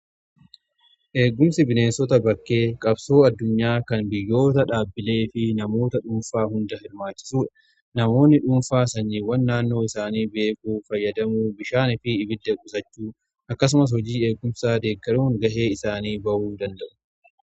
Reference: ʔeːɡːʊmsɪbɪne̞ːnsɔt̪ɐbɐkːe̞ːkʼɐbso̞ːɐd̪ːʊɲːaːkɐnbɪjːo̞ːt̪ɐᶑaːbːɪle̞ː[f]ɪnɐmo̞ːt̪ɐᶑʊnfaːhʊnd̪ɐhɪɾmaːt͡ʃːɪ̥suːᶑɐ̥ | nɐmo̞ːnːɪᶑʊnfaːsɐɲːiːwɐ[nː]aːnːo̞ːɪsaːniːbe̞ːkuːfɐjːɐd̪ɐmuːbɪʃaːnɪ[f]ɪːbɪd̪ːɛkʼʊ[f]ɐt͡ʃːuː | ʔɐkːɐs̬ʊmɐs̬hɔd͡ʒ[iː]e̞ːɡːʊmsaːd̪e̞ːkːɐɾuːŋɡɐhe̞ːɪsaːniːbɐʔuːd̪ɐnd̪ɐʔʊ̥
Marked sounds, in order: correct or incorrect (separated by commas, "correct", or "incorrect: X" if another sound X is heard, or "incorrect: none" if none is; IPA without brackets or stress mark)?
correct, correct, correct, incorrect: s, correct